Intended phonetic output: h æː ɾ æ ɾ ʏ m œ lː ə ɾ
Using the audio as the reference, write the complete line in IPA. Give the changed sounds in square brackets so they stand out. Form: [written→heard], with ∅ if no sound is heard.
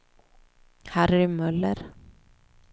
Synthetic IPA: h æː ɾ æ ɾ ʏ m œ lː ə ɾ